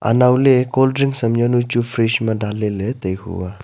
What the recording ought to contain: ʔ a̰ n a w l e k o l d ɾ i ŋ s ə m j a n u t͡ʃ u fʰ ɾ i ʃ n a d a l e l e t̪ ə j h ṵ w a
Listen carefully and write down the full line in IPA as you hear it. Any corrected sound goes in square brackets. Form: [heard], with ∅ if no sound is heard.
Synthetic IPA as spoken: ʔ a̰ n a w l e k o l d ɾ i ŋ s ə m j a n u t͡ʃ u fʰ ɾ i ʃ [m] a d a l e l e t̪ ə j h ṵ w a